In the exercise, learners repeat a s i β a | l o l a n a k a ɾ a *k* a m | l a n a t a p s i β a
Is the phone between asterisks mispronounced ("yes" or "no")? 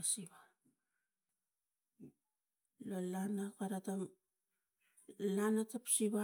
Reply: yes